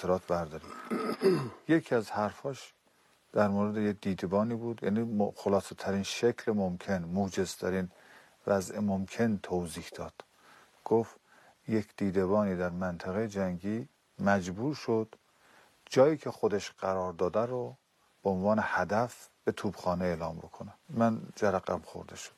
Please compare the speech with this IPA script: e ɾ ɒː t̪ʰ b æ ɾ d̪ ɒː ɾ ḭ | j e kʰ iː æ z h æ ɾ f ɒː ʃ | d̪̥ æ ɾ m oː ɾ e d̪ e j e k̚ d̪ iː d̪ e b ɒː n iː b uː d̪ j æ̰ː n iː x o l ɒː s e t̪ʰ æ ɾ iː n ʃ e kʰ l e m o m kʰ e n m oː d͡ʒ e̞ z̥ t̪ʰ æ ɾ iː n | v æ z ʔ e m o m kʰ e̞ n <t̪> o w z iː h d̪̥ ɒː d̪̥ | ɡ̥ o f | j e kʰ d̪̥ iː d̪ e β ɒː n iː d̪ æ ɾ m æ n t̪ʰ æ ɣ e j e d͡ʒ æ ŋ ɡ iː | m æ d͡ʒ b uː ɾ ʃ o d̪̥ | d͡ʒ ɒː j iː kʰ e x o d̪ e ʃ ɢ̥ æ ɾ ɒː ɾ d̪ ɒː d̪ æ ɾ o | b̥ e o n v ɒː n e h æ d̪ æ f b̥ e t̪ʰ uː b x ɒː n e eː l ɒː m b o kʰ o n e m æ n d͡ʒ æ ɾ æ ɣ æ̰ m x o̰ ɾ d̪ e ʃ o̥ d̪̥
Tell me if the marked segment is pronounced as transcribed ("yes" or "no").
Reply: no